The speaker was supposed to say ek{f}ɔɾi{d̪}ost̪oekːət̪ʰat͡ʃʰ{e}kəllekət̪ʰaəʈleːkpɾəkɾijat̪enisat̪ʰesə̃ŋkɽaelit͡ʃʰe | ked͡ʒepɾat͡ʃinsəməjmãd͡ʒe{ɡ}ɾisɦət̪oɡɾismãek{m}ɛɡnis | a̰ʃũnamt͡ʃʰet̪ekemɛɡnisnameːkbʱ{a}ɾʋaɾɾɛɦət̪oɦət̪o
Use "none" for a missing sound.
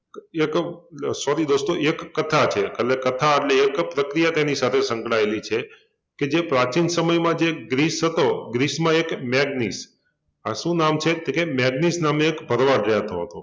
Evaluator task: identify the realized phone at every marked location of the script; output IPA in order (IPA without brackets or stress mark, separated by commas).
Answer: s, d̪, e, ɡ, m, ə